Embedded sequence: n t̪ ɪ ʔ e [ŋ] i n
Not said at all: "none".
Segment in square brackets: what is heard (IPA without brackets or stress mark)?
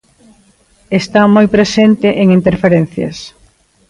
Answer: ŋ